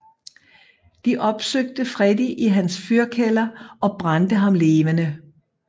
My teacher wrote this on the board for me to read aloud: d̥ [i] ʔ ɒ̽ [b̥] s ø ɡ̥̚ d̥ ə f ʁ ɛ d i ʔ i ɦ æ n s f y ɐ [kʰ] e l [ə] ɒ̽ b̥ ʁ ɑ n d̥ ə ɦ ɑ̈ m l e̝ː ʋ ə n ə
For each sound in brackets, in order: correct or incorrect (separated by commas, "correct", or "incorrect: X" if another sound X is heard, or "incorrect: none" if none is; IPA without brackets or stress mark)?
correct, correct, correct, incorrect: ɐ